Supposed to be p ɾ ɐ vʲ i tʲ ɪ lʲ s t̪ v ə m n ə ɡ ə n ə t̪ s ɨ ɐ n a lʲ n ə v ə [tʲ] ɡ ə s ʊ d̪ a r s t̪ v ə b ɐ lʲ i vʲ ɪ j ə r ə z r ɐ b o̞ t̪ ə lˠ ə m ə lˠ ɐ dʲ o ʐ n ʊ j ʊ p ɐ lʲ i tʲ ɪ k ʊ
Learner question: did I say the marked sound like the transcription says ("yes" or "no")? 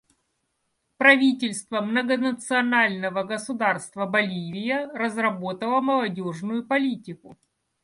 no